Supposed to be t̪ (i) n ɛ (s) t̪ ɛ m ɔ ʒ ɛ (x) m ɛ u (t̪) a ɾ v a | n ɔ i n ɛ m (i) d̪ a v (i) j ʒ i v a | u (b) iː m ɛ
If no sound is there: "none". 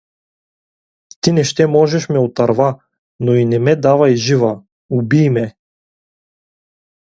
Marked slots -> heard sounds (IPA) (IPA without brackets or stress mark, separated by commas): i, ʃ, ʃ, t̪, ɛ, a, b